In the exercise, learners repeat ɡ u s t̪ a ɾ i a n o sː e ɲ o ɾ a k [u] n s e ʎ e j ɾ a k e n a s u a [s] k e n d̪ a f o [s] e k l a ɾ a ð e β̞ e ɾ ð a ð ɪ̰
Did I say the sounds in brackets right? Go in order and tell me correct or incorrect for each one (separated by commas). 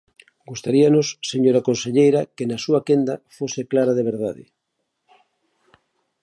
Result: incorrect, incorrect, correct